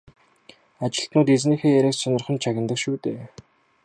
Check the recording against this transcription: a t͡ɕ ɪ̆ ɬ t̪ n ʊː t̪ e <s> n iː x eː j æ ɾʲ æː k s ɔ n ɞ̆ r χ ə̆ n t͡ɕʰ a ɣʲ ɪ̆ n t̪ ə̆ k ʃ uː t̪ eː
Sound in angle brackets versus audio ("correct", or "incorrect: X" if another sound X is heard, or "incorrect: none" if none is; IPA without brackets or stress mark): incorrect: t͡s